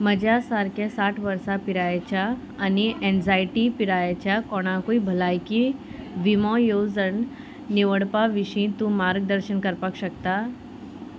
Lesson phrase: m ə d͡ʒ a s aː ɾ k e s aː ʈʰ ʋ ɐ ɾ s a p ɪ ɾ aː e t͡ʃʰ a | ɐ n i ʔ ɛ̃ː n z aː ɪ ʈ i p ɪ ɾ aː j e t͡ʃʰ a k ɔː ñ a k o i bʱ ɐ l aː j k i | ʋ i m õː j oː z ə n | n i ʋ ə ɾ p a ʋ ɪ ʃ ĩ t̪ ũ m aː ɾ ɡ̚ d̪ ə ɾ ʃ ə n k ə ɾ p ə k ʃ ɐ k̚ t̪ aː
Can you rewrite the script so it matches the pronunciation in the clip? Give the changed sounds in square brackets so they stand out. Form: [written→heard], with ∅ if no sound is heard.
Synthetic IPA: m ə d͡ʒ a s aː ɾ k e s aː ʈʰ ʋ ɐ ɾ s a p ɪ ɾ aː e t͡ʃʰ a | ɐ n i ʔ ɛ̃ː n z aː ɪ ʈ i p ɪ ɾ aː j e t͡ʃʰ a k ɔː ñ a k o i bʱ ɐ l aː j k i | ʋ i m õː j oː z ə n | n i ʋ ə [ɾ→ɽ] p a ʋ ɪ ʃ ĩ t̪ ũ m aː ɾ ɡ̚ d̪ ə ɾ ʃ ə n k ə ɾ p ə k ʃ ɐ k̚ t̪ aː